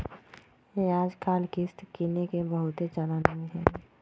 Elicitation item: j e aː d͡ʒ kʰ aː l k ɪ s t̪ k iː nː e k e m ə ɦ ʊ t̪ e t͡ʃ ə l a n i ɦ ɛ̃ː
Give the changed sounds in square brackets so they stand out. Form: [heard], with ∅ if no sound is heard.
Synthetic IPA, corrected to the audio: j e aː d͡ʒ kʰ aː l k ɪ s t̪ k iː [n] e k e [b] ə ɦ ʊ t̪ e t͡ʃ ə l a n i ɦ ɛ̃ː